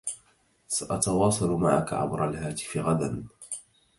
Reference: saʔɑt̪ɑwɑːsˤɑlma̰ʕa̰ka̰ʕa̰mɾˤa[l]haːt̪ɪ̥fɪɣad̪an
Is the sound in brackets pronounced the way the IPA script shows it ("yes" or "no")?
yes